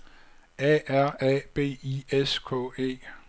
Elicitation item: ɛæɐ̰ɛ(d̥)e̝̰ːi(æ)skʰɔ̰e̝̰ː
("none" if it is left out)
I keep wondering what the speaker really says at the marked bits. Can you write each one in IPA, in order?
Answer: b̥, e

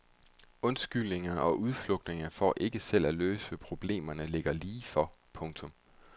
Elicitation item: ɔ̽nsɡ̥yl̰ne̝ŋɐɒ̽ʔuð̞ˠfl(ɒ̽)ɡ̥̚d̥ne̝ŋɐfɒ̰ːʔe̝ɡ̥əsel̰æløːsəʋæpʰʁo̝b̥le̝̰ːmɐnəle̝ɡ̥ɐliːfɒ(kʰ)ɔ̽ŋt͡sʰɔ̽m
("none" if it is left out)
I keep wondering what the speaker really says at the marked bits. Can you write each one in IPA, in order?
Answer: ɔ̽, pʰ

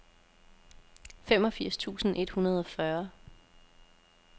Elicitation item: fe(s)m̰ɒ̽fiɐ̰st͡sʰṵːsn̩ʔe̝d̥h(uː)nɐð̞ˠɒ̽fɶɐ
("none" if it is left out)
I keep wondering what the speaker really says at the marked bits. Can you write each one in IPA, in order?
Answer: none, u

